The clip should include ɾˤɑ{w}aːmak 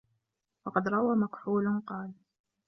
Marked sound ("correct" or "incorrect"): correct